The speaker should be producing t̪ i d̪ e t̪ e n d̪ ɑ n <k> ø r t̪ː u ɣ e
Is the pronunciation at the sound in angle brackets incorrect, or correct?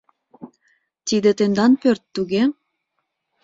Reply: incorrect